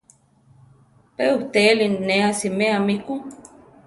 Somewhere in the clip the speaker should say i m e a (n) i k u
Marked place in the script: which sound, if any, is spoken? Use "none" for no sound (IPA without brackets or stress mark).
m